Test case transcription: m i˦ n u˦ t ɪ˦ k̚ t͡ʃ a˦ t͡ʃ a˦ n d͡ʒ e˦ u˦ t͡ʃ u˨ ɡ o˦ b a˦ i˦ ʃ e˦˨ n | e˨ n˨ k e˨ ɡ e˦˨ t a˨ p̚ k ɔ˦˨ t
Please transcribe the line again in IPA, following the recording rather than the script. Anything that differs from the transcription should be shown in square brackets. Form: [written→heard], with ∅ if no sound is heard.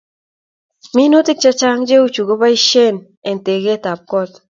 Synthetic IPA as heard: m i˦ n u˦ t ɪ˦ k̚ t͡ʃ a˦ t͡ʃ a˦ [n→ŋ] d͡ʒ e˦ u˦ t͡ʃ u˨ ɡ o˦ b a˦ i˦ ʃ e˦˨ n | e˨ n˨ [k→t] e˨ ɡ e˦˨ t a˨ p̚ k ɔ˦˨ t